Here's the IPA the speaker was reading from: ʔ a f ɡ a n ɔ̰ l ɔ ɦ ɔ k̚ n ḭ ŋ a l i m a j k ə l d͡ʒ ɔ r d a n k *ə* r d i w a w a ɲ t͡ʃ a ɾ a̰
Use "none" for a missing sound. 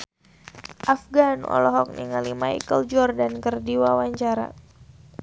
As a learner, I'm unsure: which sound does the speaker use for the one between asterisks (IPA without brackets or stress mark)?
ə